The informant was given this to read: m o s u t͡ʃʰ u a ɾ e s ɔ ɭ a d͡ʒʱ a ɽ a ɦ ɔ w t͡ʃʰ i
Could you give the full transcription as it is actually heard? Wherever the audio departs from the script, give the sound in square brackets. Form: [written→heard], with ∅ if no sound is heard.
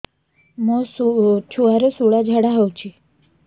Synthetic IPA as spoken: m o s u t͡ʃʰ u a ɾ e s [ɔ→u] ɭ a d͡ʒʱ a ɽ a ɦ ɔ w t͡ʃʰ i